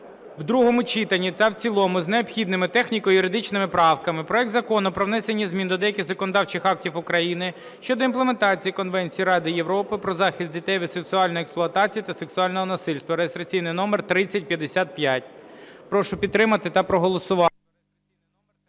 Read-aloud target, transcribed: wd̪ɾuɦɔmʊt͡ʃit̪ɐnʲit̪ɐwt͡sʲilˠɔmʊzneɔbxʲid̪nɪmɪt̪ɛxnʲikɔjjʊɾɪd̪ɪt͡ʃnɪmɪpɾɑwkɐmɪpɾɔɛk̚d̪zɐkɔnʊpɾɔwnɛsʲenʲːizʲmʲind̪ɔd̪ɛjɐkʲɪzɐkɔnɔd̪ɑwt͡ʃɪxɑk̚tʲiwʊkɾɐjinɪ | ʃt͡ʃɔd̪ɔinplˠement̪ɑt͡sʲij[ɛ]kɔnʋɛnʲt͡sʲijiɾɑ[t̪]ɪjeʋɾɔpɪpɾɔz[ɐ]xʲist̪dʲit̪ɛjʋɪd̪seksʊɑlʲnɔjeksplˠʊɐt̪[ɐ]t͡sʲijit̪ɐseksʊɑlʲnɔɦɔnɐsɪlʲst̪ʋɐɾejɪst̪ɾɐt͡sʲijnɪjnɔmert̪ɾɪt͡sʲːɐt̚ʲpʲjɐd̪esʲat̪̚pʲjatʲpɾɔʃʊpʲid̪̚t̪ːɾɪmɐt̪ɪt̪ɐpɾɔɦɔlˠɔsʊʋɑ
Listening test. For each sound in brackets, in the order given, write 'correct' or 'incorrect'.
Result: incorrect: i, incorrect: d̪, incorrect: ɑ, incorrect: ɑ

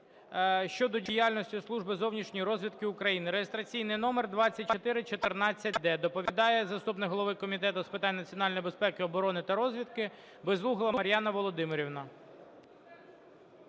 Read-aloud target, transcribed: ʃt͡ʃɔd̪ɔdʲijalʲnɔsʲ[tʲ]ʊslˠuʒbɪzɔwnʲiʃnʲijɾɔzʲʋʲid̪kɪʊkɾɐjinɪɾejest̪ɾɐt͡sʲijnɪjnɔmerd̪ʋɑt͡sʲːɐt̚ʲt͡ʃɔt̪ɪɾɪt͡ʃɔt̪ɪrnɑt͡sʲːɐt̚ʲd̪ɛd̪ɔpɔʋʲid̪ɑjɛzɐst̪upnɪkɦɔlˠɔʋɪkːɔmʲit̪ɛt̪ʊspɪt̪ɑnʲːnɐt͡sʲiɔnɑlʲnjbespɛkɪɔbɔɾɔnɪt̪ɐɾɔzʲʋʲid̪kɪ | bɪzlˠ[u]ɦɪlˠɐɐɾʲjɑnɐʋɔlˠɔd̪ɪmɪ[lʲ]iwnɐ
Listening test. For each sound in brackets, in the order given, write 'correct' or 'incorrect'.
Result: correct, correct, incorrect: ɾʲ

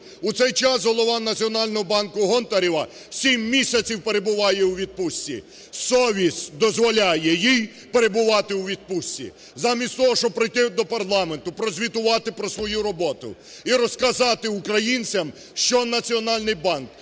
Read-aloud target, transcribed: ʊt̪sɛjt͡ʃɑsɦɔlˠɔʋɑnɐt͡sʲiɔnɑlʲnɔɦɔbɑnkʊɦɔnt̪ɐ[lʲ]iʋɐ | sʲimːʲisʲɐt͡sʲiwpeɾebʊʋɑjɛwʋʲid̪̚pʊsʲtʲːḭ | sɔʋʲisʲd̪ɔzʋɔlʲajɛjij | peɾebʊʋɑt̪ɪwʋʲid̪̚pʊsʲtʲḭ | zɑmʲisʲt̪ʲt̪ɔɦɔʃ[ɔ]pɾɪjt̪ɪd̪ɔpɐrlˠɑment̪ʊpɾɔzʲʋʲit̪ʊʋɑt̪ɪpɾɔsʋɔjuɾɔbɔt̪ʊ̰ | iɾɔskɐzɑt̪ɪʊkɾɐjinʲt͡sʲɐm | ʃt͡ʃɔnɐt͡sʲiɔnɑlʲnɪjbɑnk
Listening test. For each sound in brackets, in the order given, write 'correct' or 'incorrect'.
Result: incorrect: ɾʲ, correct

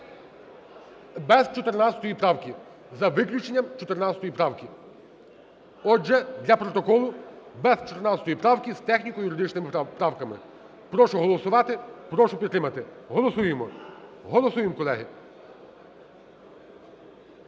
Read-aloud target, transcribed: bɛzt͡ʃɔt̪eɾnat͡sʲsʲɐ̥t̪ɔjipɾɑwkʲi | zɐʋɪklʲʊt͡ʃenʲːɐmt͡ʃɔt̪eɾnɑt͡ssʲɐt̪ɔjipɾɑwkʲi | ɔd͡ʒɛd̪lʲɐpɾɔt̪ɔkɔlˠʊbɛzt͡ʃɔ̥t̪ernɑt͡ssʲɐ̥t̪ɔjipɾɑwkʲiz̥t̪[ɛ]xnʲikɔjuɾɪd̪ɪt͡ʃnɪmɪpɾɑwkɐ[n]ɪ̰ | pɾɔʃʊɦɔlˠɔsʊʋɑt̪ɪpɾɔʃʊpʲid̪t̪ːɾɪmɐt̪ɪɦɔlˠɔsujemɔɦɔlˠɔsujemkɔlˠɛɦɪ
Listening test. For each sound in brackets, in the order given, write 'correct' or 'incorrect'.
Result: correct, incorrect: m

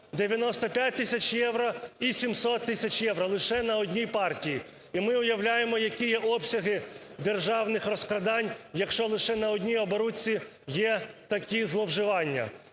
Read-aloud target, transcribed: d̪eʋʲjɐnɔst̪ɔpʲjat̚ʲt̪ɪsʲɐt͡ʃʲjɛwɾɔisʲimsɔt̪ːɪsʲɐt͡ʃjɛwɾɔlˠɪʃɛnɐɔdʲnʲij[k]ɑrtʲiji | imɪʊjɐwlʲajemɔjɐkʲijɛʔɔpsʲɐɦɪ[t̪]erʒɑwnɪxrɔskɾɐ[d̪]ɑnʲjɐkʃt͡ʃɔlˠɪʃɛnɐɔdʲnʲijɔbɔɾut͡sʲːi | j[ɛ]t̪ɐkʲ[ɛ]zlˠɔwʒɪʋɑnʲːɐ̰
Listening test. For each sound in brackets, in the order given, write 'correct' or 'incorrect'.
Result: incorrect: p, incorrect: d̪, correct, correct, incorrect: i

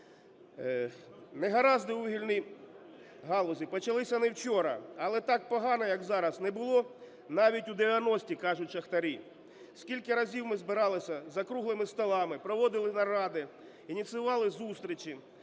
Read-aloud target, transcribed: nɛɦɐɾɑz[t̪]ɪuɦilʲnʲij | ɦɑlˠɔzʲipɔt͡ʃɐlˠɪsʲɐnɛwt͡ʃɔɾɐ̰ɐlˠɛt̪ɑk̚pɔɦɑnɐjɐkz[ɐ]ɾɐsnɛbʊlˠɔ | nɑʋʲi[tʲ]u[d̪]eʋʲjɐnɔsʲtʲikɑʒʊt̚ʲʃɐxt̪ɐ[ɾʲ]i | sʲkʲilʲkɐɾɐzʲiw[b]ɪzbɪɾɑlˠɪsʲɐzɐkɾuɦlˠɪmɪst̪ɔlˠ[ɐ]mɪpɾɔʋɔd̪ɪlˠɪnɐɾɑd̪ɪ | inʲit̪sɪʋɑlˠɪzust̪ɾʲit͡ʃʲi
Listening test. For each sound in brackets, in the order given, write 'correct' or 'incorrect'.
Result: incorrect: d̪, incorrect: ɑ, correct, correct, correct, incorrect: m, incorrect: ɑ

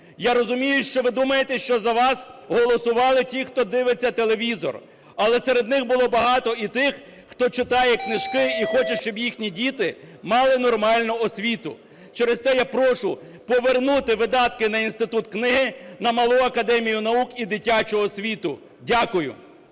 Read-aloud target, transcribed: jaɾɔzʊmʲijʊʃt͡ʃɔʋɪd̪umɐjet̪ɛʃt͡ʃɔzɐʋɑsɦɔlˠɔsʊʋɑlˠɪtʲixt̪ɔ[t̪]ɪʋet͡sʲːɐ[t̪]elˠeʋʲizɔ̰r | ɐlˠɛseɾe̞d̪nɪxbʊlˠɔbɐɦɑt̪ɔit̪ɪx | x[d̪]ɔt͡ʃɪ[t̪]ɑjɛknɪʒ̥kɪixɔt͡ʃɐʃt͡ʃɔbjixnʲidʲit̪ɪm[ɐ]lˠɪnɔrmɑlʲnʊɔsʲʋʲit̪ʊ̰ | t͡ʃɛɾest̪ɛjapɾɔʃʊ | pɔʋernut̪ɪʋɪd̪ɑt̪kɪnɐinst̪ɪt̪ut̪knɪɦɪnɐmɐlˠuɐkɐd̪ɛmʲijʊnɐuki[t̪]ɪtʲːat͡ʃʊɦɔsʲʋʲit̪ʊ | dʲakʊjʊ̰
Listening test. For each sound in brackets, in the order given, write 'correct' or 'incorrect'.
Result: incorrect: d̪, correct, incorrect: t̪, correct, incorrect: ɑ, incorrect: d̪

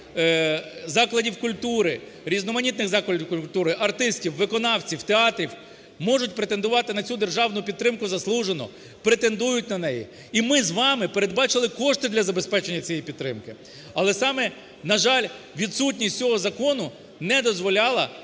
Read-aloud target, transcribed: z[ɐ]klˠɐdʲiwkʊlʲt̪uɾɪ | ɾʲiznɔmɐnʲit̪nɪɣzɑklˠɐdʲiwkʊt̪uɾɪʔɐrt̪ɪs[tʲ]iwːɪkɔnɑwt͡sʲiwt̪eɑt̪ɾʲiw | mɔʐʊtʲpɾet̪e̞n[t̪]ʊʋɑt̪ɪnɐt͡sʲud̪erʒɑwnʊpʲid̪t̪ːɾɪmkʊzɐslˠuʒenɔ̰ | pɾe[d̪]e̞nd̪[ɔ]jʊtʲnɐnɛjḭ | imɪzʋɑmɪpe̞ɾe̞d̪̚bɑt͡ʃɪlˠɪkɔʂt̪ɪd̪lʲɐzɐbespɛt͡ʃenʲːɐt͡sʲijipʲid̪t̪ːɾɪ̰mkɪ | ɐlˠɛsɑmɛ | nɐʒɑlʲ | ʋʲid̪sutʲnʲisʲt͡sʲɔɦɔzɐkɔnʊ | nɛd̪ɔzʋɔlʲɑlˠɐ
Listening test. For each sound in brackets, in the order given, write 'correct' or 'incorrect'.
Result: incorrect: ɑ, correct, incorrect: d̪, incorrect: t̪, incorrect: u

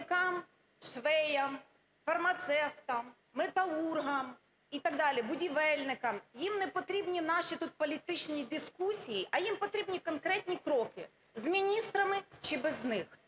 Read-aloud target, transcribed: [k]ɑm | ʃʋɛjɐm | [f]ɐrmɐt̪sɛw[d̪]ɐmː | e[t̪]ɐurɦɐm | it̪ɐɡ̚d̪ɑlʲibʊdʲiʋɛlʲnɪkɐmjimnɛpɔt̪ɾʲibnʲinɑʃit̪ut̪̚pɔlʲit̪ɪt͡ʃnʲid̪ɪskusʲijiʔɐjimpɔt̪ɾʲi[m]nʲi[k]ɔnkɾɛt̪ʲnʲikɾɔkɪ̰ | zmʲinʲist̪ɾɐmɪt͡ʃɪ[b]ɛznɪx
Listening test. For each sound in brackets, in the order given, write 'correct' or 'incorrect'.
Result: correct, correct, incorrect: t̪, correct, incorrect: b, correct, correct

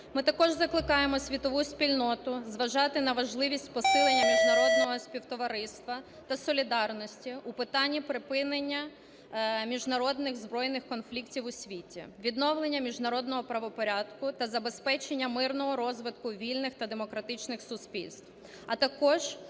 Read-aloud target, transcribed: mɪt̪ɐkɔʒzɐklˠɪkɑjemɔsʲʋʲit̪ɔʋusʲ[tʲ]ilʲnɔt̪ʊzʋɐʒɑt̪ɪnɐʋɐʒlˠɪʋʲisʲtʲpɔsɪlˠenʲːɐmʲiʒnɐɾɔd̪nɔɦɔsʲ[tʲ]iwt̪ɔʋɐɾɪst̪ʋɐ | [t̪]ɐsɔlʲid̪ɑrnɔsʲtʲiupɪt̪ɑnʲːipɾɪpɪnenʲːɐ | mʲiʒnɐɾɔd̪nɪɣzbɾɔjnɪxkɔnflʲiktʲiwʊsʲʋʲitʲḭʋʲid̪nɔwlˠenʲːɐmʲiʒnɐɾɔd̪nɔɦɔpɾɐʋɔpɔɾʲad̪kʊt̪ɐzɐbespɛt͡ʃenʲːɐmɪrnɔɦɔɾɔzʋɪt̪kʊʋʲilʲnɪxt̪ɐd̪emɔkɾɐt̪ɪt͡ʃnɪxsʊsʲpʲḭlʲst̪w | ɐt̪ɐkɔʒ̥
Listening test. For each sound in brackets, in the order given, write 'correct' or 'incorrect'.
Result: incorrect: pʲ, incorrect: pʲ, correct

